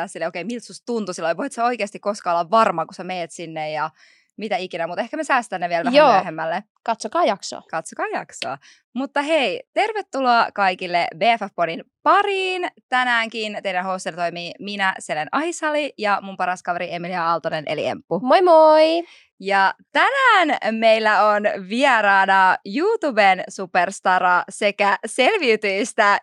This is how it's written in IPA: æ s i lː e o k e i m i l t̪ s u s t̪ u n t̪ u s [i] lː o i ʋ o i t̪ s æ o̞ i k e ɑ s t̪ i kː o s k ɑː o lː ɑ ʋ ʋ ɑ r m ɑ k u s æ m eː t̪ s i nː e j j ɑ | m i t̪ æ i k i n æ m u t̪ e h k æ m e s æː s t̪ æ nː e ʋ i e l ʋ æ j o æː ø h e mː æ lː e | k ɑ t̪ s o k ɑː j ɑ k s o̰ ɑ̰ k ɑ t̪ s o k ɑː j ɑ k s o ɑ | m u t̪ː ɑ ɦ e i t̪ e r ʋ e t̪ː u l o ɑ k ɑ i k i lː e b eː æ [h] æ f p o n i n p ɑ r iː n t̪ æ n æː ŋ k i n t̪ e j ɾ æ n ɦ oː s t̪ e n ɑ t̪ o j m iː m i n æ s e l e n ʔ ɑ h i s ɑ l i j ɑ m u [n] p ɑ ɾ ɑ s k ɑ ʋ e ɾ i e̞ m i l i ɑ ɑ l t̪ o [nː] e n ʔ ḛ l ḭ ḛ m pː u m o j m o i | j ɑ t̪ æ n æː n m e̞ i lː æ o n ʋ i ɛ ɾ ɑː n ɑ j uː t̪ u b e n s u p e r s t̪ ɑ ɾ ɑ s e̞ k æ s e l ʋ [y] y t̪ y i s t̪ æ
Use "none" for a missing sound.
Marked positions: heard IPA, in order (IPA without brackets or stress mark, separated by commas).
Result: i, f, m, n, i